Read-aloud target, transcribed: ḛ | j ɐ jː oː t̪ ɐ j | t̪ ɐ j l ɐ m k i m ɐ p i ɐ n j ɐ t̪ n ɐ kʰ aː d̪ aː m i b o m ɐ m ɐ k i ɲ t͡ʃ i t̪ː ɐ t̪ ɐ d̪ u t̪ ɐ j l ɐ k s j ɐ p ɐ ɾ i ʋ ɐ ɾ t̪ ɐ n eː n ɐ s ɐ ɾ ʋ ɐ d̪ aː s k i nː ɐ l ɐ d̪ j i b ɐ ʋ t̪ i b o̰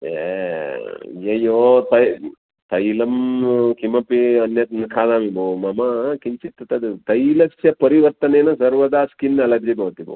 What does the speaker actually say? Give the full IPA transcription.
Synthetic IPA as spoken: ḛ | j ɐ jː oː t̪ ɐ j | t̪ ɐ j l ɐ m k i m ɐ p i ɐ n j ɐ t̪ n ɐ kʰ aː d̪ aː m i b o m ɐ m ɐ k i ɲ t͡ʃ i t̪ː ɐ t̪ ɐ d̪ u t̪ ɐ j l ɐ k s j ɐ p ɐ ɾ i ʋ ɐ ɾ t̪ ɐ n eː n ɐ s ɐ ɾ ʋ ɐ d̪ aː s k i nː ɐ l ɐ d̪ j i b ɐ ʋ t̪ i b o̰